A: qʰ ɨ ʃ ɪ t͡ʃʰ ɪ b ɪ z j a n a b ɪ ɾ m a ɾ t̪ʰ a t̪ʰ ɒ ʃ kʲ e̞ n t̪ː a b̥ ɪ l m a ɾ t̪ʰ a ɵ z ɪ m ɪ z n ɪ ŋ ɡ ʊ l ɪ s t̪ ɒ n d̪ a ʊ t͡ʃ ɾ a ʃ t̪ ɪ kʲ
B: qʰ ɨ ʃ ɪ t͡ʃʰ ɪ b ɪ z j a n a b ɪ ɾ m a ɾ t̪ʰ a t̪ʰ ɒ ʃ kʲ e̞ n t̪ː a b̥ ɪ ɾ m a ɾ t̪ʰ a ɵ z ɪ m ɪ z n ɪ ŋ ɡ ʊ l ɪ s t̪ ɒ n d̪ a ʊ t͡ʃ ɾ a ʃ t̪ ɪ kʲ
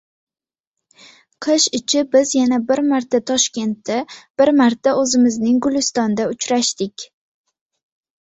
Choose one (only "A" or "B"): B